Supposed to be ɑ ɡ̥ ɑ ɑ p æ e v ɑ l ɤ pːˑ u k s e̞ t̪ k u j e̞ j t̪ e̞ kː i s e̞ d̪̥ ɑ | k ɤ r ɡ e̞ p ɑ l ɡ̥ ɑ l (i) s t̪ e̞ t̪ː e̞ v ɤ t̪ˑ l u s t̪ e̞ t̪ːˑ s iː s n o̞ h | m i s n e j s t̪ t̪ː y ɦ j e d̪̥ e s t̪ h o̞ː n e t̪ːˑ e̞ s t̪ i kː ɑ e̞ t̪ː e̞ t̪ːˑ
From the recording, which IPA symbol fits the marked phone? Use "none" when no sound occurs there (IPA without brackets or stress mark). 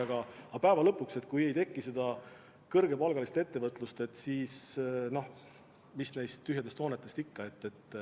i